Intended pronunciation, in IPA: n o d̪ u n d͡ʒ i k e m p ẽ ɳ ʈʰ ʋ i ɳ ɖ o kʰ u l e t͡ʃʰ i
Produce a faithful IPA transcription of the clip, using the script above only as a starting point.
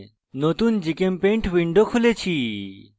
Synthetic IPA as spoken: n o t̪ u n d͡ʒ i k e m p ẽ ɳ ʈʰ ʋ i ɳ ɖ o kʰ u l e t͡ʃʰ i

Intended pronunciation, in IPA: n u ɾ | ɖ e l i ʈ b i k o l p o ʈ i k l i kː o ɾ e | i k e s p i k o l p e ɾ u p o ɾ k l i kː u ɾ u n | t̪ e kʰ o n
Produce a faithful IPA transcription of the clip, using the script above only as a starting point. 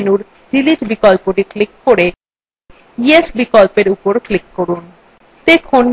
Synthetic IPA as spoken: n u ɾ | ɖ i l i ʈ b i k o l p o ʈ i k l i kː o ɾ e | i e s b i k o l p e ɾ u p o ɾ k l i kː o ɾ u n | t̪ e kʰ o n

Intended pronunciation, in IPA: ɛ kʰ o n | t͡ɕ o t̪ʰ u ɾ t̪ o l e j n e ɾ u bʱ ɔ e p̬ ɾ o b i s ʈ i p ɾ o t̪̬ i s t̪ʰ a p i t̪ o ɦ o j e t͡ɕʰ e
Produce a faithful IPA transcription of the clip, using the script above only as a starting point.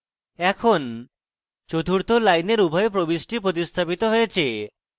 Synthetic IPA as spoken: ɛ kʰ o n | t͡ɕ o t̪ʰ u ɾ t̪ o l a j n e ɾ u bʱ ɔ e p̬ ɾ o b i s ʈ i p ɾ o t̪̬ i s t̪ʰ a p i t̪ o ɦ o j e t͡ɕʰ e

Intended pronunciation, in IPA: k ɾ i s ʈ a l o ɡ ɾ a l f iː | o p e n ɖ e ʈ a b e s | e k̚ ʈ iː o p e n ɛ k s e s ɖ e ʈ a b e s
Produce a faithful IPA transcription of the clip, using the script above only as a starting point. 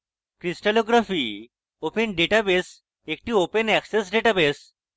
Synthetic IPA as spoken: k ɾ i s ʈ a l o ɡ ɾ a f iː | o p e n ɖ e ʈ a b e s | e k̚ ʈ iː o p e n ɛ k s e s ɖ e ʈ a b e s

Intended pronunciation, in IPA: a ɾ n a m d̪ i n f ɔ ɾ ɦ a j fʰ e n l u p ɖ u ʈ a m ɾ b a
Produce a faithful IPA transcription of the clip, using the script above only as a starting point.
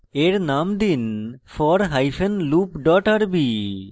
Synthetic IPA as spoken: e ɾ n a m d̪ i n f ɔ ɾ ɦ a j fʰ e n l u p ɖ ɔ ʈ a ɾ b i

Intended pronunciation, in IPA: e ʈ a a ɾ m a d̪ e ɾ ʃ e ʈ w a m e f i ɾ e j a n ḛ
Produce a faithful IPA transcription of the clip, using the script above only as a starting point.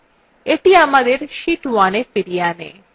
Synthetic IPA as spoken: e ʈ i a m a d̪ e ɾ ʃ i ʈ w a n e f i ɾ i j a n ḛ

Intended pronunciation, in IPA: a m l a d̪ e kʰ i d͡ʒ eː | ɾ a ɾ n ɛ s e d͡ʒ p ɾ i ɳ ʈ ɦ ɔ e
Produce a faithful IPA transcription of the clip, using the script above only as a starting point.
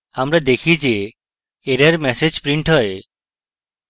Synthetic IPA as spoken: a m ɾ a d̪ e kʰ i d͡ʒ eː | ɾ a ɾ m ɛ s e d͡ʒ p ɾ i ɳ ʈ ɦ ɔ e

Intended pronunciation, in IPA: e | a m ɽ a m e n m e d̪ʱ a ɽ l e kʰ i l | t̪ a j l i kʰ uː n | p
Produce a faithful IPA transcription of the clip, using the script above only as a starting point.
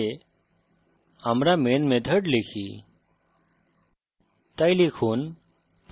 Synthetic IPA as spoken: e | a m ɾ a m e n m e d̪ʱ ə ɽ l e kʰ i | t̪ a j l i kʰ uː n | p

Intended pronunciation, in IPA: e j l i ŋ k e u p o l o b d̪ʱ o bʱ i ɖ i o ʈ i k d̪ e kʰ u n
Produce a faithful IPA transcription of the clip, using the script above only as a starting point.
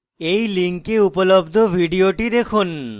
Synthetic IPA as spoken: e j l i ŋ k e u p o l o b d̪ʱ o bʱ i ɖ i o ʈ i d̪ e kʰ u n

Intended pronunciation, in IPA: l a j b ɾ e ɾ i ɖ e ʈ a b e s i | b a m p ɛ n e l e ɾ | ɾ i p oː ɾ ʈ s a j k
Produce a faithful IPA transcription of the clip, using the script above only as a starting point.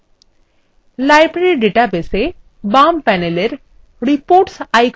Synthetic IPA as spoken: l a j b ɾ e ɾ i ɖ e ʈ a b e s e | b a m p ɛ n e l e ɾ | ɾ i p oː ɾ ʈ s a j k

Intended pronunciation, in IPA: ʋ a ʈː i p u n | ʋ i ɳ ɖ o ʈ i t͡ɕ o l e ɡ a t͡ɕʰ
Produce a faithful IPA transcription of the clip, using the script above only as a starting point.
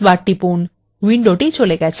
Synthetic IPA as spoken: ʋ a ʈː i p u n | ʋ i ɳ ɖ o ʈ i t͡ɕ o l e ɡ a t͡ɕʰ

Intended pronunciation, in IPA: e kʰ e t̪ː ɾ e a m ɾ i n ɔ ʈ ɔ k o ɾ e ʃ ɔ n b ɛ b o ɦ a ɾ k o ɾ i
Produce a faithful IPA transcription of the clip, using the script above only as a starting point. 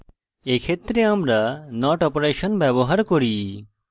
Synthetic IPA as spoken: e kʰ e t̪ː ɾ e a m ɾ a n ɔ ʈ ɔ p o ɾ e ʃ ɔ n b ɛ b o ɦ a ɾ k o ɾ i

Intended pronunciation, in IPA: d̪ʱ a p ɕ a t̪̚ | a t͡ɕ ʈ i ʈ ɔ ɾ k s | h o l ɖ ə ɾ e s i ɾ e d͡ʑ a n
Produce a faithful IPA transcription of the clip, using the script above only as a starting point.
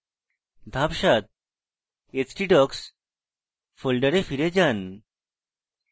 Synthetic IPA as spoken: d̪ʱ a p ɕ a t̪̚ | e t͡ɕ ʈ i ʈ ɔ k s | f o l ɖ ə ɾ e f i ɾ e d͡ʑ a n

